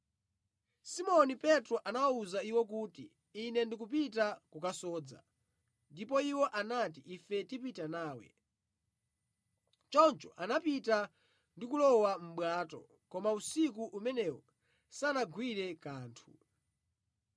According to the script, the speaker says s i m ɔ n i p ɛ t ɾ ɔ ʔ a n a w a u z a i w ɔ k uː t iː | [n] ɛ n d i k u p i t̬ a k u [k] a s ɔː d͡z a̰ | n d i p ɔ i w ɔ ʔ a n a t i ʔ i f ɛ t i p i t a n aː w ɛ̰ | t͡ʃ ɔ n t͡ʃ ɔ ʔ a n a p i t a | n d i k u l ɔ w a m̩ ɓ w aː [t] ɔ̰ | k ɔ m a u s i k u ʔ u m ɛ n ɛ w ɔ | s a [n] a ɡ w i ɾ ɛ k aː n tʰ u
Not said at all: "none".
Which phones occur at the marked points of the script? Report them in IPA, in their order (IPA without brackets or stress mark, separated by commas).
n, k, t, n